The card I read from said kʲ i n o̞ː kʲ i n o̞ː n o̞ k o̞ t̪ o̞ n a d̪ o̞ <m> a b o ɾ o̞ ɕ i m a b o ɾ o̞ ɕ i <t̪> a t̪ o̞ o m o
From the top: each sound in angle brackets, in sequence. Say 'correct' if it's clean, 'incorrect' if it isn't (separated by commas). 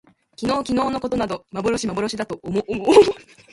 correct, incorrect